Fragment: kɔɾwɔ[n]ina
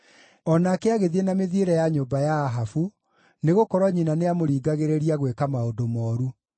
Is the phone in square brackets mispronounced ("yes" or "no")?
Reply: yes